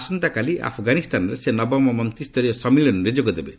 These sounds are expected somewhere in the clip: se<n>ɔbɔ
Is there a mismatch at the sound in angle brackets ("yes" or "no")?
no